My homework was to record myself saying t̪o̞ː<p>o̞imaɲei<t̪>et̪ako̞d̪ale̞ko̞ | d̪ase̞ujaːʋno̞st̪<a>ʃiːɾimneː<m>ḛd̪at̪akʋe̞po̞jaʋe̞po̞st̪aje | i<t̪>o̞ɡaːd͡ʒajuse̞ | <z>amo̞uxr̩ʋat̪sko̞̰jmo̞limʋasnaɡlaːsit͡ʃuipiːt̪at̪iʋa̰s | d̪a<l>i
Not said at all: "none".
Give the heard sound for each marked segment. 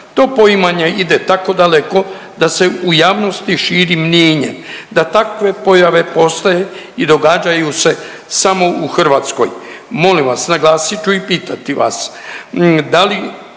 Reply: p, d̪, i, ɲ, d̪, s, l

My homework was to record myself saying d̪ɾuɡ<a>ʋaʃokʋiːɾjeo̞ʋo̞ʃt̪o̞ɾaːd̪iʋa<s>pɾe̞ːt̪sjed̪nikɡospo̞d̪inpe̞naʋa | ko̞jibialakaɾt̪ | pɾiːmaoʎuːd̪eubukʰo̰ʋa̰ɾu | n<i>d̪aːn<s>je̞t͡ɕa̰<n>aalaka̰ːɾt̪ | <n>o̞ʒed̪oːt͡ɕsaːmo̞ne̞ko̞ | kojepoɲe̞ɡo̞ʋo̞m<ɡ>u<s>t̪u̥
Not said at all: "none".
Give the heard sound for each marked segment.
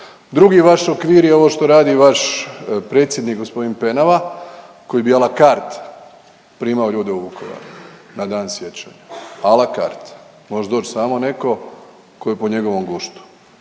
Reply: i, ʃ, a, s, ɲ, m, ɡ, ʃ

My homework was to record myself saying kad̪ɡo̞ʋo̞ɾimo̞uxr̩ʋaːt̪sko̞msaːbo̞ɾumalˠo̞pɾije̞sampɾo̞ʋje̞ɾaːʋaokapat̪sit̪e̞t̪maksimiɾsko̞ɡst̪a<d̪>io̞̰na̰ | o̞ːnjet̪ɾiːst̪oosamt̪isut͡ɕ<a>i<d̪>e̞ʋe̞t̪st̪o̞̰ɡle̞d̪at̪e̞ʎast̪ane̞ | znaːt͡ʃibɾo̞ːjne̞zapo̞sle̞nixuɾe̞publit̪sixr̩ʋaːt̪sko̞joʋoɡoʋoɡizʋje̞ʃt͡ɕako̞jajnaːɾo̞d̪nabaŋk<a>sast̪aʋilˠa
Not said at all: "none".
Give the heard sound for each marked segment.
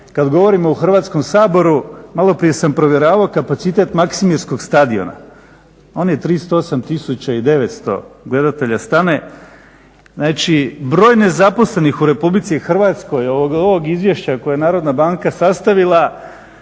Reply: d̪, a, d̪, a

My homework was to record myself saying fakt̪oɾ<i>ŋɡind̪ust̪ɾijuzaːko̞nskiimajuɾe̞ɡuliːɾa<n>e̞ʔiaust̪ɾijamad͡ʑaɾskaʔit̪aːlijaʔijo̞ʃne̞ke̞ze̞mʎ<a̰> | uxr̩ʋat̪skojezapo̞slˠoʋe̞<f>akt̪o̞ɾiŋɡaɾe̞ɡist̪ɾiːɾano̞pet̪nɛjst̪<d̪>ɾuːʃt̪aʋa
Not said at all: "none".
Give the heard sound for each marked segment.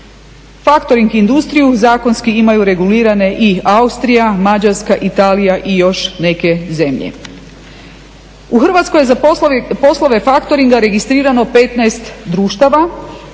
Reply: i, n, ḛ, f, d̪

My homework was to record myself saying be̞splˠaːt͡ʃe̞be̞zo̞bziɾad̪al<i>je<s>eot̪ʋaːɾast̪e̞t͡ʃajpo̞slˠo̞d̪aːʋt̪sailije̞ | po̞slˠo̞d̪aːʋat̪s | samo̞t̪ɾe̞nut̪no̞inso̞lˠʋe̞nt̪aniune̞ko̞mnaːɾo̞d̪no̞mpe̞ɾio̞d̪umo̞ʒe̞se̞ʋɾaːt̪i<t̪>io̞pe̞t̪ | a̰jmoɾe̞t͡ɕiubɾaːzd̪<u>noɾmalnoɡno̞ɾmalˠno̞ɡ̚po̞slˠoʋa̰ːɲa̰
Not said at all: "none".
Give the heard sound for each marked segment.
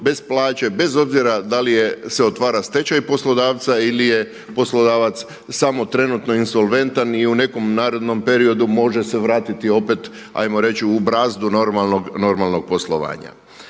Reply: i, s, t̪, u

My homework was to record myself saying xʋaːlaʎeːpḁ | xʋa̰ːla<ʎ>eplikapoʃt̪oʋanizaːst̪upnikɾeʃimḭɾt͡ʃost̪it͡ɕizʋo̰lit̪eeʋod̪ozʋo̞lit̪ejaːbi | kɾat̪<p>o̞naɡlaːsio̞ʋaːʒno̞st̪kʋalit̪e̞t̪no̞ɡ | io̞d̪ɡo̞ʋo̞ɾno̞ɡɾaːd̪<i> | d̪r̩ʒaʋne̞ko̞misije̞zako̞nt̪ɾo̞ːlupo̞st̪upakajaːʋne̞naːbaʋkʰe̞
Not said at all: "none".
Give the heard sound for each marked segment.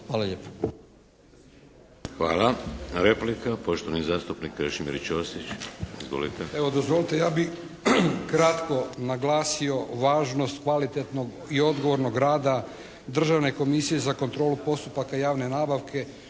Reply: ɾ, k, a

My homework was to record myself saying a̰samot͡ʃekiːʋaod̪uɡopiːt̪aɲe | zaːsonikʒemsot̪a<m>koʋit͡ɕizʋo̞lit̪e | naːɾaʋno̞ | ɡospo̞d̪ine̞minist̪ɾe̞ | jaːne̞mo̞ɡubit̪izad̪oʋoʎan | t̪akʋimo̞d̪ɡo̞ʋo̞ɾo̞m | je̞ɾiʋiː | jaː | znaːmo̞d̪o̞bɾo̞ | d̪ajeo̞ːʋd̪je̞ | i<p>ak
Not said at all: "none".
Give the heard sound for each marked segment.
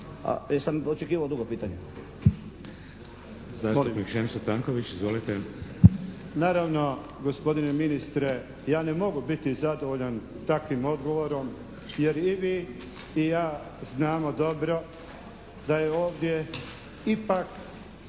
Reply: ŋ, p

